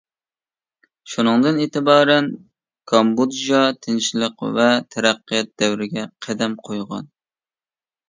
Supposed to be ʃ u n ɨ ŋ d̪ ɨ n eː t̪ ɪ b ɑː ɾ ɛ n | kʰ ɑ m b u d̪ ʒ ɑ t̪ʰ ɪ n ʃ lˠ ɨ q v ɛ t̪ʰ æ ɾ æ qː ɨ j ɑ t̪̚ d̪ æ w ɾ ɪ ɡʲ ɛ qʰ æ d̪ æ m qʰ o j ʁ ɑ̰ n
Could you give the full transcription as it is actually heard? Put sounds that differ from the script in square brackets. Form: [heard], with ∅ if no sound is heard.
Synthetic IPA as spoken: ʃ u n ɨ ŋ d̪ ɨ n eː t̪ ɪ b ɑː ɾ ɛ n | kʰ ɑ m b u d̪ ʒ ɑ t̪ʰ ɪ n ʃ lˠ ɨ q v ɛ t̪ʰ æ ɾ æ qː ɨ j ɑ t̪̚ d̪ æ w ɾ ɪ ɡʲ ɛ qʰ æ d̪ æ m qʰ o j ʁ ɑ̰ n